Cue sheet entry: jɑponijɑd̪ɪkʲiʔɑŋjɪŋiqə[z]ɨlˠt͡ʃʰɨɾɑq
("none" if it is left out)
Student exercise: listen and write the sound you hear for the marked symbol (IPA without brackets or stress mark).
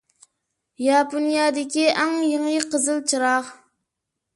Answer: z